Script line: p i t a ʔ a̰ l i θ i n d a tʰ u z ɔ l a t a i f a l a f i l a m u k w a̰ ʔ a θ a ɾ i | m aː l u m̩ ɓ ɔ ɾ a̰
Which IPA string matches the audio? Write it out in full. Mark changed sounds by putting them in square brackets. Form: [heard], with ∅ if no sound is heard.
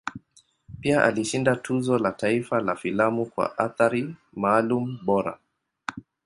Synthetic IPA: p i [∅] a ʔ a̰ l i [ʃ] i n d a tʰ u z ɔ l a t a i f a l a f i l a m u k w a̰ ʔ a θ a ɾ i | m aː l u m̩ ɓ ɔ ɾ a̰